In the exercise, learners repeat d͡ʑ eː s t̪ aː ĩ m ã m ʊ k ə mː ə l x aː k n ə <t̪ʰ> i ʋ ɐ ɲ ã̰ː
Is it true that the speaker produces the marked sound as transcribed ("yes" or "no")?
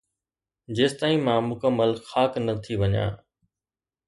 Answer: yes